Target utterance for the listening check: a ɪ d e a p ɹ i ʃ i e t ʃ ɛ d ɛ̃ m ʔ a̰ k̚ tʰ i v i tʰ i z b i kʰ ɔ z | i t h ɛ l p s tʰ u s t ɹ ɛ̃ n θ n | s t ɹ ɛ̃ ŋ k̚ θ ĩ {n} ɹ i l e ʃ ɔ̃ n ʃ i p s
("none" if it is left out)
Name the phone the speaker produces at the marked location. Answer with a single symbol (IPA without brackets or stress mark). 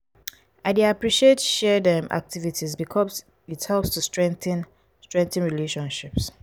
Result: n